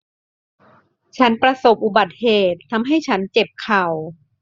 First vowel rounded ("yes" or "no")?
no